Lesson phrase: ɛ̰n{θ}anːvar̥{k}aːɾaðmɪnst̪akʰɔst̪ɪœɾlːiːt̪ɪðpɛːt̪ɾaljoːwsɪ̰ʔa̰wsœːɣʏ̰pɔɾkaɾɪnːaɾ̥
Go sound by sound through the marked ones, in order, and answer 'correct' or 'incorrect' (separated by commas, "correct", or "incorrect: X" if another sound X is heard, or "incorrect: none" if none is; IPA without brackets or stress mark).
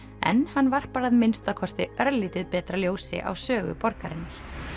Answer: incorrect: h, incorrect: p